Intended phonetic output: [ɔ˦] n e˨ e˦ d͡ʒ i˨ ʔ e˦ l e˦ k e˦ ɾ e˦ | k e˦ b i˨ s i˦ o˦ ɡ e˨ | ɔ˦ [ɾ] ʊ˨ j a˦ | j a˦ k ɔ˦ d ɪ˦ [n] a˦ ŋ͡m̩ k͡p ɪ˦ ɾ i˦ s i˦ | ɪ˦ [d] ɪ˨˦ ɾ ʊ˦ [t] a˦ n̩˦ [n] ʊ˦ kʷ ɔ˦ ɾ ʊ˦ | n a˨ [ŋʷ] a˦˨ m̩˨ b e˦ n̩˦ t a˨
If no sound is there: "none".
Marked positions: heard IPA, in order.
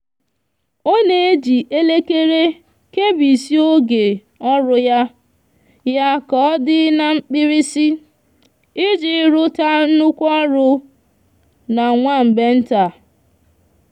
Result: o˦, ɾ, n, d͡ʒ, t, n, ŋʷ

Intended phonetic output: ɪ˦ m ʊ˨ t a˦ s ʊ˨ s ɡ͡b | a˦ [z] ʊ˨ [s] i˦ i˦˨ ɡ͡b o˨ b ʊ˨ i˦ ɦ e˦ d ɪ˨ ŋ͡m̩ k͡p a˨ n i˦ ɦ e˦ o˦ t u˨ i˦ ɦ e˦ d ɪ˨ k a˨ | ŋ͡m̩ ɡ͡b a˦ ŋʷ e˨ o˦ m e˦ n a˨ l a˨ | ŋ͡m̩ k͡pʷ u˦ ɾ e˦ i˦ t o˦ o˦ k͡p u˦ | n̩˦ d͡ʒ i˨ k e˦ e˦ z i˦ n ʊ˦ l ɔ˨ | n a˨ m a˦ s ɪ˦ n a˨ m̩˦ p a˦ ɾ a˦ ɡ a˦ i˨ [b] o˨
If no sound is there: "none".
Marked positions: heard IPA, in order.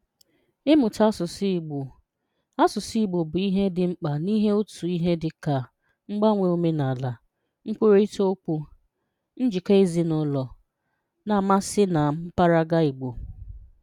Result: s, s, ɡ͡b

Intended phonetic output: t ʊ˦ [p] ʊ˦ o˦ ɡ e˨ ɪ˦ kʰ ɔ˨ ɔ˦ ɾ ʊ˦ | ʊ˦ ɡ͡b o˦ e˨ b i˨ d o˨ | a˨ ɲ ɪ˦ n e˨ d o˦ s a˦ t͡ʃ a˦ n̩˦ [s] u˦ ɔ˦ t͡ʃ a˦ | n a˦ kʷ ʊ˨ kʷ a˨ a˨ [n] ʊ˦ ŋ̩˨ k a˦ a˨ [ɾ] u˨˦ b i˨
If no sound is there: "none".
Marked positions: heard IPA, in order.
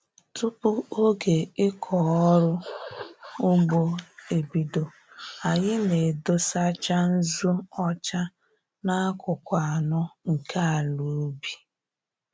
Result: p, z, n, l

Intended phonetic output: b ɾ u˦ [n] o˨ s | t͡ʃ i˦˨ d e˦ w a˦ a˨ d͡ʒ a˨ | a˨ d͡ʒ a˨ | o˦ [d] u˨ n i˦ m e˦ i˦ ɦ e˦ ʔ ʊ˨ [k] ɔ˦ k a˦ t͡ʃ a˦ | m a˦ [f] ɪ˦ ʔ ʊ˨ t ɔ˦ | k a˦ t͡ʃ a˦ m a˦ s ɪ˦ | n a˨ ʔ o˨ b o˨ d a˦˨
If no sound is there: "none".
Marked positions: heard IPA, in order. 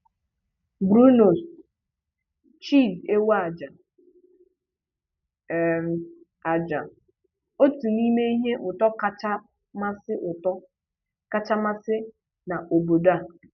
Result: n, t, t, s

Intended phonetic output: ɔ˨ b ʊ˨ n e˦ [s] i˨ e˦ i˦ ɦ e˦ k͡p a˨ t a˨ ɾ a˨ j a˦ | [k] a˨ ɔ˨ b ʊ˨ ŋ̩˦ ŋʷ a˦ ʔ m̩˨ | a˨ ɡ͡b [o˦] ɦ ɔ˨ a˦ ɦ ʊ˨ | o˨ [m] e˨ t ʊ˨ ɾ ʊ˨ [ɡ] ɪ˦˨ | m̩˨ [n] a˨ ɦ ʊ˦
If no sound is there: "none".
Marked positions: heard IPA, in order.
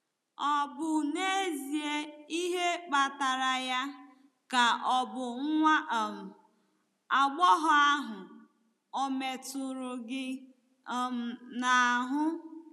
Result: z, k, ɔ˦, m, ɡ, n

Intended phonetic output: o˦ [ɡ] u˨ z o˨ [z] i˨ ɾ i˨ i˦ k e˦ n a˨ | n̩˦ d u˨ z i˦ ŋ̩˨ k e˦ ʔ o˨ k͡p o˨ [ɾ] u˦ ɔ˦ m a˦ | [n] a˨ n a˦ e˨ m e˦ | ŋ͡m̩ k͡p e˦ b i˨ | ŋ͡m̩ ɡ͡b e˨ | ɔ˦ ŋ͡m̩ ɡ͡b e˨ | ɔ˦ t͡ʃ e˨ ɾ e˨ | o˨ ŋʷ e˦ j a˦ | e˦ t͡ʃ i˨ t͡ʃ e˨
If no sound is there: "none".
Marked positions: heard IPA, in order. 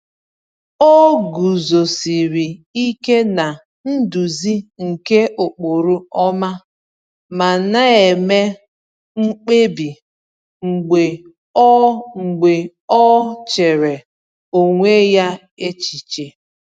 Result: ɡ, s, ɾ, m

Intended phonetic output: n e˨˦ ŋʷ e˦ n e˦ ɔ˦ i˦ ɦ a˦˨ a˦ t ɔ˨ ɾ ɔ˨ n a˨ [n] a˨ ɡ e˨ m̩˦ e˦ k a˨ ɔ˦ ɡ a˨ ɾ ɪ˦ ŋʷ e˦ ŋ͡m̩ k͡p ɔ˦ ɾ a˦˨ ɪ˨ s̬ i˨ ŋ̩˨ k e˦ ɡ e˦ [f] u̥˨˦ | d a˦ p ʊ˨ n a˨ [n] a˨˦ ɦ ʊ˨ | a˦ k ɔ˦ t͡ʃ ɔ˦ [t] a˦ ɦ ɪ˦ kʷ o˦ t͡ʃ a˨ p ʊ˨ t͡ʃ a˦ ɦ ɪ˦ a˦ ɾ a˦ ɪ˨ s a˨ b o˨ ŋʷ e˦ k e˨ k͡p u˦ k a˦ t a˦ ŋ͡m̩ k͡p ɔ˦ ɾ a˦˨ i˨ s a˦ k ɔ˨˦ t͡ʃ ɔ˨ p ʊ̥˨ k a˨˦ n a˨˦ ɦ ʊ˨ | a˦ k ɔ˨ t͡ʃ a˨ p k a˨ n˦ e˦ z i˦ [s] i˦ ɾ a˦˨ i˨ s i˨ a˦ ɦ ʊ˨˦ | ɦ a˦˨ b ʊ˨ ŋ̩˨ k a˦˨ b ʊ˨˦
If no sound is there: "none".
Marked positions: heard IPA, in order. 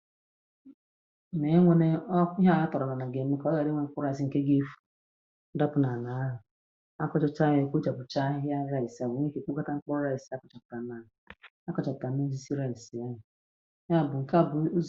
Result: n, f, n, t͡ʃ, s

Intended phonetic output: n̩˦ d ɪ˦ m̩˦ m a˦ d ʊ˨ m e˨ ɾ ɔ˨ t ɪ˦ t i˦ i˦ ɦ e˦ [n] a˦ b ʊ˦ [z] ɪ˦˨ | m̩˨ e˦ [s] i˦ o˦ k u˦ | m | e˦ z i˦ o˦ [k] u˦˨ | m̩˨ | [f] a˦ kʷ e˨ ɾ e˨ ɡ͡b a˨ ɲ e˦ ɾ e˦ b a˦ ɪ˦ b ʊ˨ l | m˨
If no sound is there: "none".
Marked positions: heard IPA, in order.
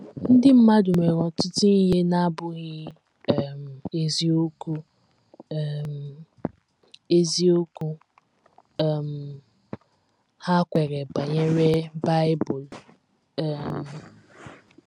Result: n, ɣ, z, k, h

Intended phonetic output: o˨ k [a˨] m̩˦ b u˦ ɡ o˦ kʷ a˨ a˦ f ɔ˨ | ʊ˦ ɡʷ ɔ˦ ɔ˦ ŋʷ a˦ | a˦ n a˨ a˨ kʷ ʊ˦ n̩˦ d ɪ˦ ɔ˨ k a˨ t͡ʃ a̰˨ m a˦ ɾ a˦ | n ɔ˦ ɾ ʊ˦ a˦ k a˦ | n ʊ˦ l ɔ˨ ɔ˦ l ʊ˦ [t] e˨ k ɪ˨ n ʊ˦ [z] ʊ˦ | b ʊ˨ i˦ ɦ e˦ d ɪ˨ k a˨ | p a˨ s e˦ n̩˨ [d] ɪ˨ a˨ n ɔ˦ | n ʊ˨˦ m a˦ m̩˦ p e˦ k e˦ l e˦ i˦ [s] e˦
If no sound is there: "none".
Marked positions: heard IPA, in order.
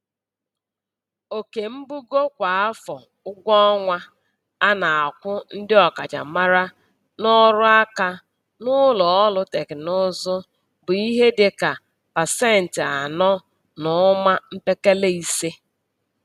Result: e˨, t, z, t, s

